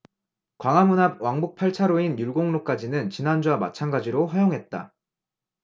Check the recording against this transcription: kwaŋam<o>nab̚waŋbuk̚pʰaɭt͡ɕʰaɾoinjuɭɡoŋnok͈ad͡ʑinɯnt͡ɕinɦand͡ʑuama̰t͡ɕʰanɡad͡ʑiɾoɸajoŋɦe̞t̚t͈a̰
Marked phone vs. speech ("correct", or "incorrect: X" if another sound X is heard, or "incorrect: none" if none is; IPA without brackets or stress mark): incorrect: u